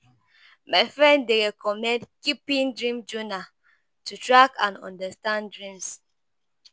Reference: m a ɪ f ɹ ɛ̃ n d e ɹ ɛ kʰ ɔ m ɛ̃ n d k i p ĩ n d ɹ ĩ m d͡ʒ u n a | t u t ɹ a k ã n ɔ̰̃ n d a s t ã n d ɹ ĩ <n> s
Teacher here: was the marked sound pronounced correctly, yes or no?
no